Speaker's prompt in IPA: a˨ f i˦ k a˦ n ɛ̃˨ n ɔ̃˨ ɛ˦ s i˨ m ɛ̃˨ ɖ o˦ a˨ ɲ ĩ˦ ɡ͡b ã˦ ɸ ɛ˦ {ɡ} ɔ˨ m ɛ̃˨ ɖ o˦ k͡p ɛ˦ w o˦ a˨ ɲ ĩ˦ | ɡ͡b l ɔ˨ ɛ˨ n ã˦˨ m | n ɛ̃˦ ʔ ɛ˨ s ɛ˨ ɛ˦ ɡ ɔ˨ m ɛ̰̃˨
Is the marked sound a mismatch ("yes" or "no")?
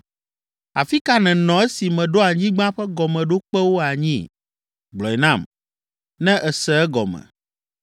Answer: no